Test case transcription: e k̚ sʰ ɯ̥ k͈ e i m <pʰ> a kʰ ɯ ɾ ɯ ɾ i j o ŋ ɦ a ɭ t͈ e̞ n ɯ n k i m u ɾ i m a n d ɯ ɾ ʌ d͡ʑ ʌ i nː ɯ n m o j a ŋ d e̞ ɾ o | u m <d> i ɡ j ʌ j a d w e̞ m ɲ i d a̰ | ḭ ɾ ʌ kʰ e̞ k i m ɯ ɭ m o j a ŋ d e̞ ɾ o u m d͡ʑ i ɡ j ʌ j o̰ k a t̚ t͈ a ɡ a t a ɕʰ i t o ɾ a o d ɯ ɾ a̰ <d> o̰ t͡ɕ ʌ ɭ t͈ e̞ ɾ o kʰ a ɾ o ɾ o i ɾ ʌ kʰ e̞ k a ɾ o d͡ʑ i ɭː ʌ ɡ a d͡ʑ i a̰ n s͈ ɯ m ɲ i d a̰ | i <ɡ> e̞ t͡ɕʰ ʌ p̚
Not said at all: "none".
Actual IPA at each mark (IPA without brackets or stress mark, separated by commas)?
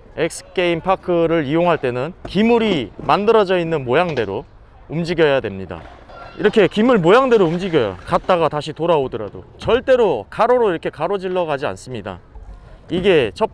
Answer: pʰ, d͡ʑ, d, ɡ